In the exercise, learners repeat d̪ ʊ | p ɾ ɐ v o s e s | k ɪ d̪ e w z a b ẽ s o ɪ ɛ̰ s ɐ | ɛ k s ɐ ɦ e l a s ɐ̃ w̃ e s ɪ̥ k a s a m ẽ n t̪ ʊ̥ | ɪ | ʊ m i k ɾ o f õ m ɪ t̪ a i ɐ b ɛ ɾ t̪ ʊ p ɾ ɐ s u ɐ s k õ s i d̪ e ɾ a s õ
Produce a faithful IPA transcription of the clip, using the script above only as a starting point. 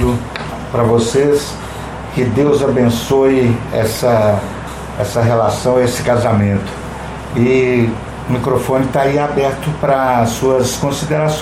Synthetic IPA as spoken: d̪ ʊ | p ɾ ɐ v o s e s | k ɪ d̪ e w z a b ẽ s o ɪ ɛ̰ s ɐ | ɛ s ɐ ɦ e l a s ɐ̃ w̃ e s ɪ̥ k a z a m ẽ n t̪ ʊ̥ | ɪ | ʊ m i k ɾ o f õ n ɪ t̪ a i a b ɛ ɾ t̪ ʊ p ɾ ɐ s u ɐ s k õ s i d̪ e ɾ a s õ